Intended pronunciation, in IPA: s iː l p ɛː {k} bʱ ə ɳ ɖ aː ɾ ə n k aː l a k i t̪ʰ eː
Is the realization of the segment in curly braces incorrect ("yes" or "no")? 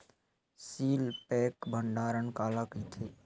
no